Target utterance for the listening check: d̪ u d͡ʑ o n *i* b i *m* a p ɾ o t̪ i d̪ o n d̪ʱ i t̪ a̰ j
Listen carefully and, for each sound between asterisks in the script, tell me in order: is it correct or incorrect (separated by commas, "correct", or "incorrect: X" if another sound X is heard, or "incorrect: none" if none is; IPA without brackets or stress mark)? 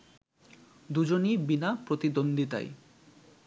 correct, incorrect: n